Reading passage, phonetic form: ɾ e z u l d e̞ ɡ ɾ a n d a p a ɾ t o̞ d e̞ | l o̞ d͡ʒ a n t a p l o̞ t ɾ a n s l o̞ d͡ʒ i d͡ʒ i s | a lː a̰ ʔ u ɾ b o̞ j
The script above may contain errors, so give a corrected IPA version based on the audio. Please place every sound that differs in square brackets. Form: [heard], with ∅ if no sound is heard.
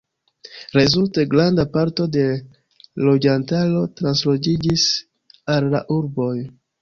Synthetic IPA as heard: ɾ e z u l [t] e̞ ɡ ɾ a n d a p a ɾ t o̞ d e̞ | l o̞ d͡ʒ a n t a [∅] l o̞ t ɾ a n s l o̞ d͡ʒ i d͡ʒ i s | a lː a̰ ʔ u ɾ b o̞ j